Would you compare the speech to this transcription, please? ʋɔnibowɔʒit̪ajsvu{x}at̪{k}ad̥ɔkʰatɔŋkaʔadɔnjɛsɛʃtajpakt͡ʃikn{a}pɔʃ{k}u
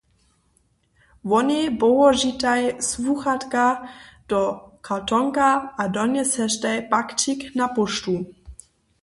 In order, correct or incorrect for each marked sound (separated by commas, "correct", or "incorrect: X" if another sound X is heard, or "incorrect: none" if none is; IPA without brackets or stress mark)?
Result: correct, correct, correct, incorrect: t